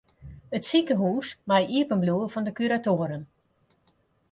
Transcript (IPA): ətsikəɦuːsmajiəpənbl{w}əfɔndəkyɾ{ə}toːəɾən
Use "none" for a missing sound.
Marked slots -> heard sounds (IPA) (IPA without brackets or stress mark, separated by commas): u, a